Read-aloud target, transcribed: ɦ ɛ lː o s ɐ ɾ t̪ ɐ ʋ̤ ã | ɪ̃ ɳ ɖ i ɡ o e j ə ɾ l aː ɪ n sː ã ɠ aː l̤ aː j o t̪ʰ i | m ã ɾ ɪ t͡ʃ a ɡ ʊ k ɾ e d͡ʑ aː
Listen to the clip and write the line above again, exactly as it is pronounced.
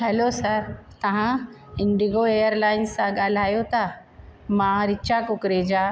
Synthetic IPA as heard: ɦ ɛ l o s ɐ ɾ t̪ ɐ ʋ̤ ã | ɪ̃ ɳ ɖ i ɡ o e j ə ɾ l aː ɪ n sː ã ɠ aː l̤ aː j o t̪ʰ a | m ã ɾ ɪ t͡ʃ a k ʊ k ɾ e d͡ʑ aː

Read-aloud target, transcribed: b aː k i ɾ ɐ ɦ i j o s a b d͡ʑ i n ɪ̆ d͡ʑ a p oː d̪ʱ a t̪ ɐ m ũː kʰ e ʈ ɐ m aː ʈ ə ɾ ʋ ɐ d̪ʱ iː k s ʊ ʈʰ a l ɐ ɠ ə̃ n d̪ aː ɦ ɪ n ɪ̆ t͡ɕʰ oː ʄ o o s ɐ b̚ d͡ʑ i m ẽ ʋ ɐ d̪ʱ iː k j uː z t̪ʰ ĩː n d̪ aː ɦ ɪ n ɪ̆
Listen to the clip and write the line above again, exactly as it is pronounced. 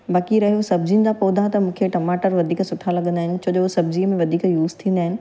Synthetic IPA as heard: b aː k i ɾ ɐ ɦ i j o s ɐ b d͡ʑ i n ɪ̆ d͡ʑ a p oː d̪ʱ a t̪ ɐ m ũː kʰ e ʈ ɐ m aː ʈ ə ɾ ʋ ɐ d̪ʱ iː k s ʊ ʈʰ a l ɐ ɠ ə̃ n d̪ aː ɦ ɪ n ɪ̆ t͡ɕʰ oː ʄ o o s ɐ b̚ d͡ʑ i m ẽ ʋ ɐ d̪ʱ iː k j uː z t̪ʰ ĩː n d̪ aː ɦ ɪ n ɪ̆

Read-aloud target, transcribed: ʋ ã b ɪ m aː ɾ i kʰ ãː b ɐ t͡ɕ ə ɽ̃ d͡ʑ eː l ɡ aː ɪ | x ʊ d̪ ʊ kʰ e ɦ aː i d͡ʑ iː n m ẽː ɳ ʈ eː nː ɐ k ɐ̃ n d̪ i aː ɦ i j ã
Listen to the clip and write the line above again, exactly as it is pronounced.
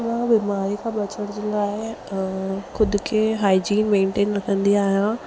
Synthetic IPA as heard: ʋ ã b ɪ m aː ɾ i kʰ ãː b ɐ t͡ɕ ə ɽ̃ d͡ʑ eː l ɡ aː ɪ | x ʊ d̪ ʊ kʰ e ɦ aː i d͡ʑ iː n m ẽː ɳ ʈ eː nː ɐ k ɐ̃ n d̪ i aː ɦ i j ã

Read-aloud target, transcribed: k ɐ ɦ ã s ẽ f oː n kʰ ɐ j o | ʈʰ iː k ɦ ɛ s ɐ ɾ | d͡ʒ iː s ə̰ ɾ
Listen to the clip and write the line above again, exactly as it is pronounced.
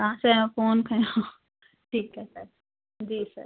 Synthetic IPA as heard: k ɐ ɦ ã s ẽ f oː n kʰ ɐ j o | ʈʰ iː k ɦ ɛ s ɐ ɾ | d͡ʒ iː s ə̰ ɾ

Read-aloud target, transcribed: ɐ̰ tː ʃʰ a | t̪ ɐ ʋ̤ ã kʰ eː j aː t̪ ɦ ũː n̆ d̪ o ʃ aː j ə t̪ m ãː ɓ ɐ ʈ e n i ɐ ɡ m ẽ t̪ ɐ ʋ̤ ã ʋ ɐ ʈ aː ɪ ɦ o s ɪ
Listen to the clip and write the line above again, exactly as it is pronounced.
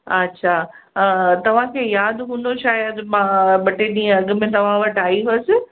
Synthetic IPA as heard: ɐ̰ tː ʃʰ a | t̪ ɐ ʋ̤ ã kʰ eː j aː d̪ ɦ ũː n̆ d̪ o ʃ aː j ə d̪ m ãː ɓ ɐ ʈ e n i ɐ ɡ m ẽ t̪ ɐ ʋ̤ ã ʋ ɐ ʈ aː i ɦ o s ɪ

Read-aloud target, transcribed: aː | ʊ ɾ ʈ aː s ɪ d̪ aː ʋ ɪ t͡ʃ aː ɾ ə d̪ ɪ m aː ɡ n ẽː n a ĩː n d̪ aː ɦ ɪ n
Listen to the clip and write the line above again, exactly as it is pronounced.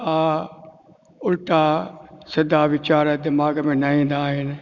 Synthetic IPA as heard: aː | ʊ l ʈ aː s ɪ d̪ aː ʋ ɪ t͡ʃ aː ɾ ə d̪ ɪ m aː ɡ m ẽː n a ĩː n d̪ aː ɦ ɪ n

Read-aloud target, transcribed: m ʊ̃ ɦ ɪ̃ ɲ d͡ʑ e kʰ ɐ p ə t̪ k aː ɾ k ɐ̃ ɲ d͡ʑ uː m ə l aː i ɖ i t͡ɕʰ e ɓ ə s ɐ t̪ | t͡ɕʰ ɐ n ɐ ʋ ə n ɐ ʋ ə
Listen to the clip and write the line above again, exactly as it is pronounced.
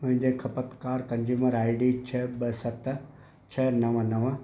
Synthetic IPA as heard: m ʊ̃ ɦ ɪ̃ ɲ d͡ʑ e kʰ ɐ p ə t̪ k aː ɾ k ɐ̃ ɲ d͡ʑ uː m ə ɾ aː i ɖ i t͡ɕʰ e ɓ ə s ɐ t̪ | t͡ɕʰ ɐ n ɐ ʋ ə n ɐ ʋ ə

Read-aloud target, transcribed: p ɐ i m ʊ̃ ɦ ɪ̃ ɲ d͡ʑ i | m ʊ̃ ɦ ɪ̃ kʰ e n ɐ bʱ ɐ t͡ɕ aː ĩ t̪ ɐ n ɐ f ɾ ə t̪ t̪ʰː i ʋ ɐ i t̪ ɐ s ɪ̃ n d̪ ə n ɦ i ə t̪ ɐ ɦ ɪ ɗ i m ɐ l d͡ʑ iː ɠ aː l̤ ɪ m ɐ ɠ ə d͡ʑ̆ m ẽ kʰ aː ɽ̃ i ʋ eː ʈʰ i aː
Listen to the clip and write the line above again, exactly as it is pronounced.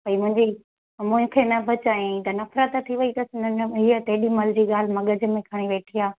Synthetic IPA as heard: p ɐ i m ʊ̃ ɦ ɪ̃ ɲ d͡ʑ i | m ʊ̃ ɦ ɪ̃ kʰ e n ɐ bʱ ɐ t͡ɕ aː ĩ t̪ ɐ n ɐ f ɾ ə t̪ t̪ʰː i ʋ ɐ i t̪ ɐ s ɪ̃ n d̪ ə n ɦ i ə t̪ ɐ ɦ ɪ ɗ i m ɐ l d͡ʑ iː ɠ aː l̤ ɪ m ɐ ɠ ə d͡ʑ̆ m ẽ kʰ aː ɽ̃ i ʋ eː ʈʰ i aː

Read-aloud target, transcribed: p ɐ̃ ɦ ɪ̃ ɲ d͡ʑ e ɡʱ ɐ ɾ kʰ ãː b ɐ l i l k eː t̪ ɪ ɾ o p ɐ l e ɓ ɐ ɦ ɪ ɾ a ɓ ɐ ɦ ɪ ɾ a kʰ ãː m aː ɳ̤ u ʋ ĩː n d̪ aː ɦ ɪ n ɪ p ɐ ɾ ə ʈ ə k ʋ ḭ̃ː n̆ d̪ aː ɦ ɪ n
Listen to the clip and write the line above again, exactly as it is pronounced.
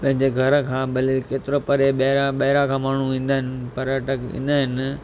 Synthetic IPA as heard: p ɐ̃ ɦ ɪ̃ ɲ d͡ʑ e ɡʱ ɐ ɾ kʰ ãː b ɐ l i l k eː t̪ ɪ ɾ o p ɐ ɾ e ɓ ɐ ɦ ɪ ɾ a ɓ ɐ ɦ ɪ ɾ a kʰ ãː m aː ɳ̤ u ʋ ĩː n d̪ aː ɦ ɪ n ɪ p ɐ ɾ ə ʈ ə k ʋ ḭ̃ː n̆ d̪ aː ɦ ɪ n

